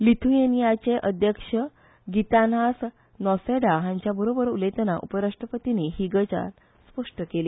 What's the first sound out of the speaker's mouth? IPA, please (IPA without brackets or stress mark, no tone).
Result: l